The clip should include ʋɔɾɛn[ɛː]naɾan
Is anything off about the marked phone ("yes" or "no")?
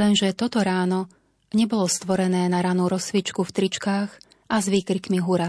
no